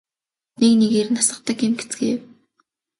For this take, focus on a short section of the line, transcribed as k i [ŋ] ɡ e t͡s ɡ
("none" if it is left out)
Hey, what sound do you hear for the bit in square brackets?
m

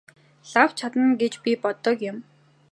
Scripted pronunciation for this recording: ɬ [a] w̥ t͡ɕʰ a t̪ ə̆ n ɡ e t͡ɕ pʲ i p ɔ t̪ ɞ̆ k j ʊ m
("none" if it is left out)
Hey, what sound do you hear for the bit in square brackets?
a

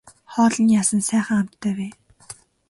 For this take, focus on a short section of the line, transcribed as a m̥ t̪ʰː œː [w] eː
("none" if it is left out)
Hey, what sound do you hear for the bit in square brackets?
w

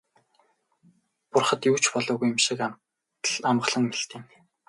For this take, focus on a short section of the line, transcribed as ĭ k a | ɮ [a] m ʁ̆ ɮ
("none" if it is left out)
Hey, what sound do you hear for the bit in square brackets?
a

